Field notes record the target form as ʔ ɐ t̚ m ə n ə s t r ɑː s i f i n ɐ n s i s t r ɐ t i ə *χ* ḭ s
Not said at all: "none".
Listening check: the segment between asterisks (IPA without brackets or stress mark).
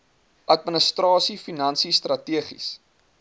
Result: χ